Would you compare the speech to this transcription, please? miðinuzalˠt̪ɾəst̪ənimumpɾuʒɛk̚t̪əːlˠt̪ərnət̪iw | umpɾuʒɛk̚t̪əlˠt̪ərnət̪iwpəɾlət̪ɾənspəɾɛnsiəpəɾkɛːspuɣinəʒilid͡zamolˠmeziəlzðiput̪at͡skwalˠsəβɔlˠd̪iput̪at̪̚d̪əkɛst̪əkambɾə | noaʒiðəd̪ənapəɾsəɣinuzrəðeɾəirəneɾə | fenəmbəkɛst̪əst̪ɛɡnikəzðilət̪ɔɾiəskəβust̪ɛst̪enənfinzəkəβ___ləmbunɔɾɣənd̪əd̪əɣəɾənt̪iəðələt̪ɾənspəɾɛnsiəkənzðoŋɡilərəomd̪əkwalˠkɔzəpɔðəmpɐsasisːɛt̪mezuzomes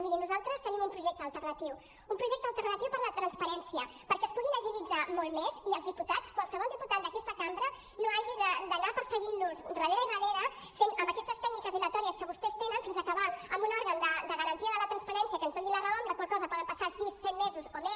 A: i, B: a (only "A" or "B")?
B